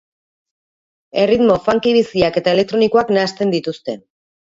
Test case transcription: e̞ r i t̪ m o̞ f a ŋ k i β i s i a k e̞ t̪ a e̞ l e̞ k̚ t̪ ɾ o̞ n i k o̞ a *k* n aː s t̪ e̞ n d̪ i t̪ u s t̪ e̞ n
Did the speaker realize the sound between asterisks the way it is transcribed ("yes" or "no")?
yes